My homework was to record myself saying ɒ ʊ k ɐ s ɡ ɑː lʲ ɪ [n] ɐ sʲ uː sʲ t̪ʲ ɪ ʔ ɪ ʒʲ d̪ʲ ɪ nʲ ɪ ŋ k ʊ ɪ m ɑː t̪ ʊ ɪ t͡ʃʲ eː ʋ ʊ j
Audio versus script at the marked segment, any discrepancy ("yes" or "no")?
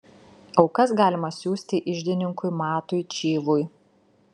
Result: yes